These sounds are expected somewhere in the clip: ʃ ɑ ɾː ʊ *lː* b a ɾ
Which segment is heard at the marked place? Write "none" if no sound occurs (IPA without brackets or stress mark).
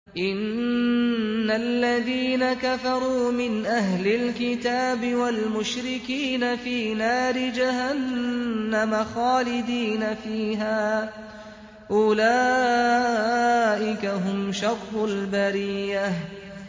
l